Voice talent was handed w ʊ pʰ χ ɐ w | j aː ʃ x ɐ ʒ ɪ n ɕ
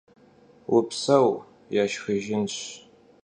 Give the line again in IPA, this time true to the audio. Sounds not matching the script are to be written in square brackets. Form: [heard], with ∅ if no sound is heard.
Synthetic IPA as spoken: w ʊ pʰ [s] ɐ w | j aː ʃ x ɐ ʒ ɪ n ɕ